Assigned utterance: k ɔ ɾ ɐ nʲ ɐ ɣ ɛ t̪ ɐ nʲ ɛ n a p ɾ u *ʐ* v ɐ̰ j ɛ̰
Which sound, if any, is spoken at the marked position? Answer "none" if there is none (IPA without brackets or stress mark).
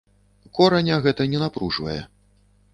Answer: ʐ